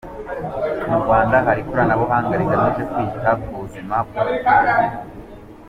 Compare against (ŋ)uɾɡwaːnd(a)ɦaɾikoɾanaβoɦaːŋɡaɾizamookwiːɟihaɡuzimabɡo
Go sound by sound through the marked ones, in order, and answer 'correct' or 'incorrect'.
incorrect: m, correct

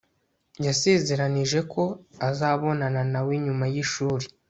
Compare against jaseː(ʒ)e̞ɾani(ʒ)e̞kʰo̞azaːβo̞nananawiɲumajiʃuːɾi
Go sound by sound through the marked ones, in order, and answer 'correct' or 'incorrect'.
incorrect: z, correct

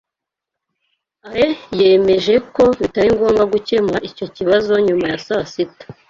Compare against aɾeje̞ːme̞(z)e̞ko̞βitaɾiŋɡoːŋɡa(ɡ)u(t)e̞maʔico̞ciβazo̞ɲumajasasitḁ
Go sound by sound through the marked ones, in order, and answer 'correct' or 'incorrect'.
incorrect: ʒ, correct, incorrect: c

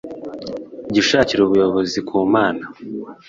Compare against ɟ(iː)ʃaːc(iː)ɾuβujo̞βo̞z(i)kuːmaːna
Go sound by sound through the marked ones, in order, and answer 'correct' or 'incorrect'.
incorrect: i, incorrect: i, correct

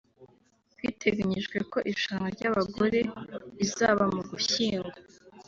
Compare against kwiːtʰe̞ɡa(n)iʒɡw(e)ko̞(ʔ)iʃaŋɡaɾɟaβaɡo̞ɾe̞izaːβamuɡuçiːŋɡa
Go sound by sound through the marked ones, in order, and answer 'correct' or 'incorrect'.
incorrect: ɲ, correct, correct

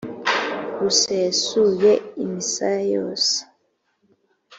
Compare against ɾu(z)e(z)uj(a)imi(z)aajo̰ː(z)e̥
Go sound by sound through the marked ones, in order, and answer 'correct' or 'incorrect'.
incorrect: s, incorrect: s, incorrect: e, incorrect: s, incorrect: s

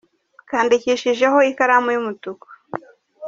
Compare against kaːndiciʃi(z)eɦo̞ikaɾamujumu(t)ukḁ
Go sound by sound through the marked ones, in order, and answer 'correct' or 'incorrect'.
incorrect: ʒ, correct

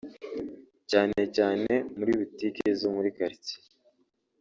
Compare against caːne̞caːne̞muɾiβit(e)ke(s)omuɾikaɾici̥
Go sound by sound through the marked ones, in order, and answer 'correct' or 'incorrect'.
incorrect: i, incorrect: z

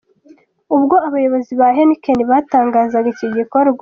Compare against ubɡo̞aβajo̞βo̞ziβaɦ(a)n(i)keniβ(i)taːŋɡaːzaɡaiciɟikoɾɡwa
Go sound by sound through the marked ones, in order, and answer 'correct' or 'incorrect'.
incorrect: e, correct, incorrect: a

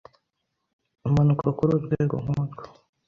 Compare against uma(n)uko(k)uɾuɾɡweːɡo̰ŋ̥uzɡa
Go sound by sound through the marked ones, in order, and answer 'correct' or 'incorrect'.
correct, correct

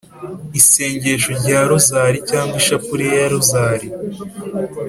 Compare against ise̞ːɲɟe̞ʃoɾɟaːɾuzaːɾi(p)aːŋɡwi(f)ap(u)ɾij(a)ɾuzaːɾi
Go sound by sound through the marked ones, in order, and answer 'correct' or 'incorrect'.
incorrect: c, incorrect: ʃ, correct, correct

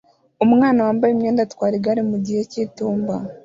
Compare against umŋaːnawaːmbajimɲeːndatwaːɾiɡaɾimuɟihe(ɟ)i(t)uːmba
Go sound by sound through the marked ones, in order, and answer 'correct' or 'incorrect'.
incorrect: c, correct

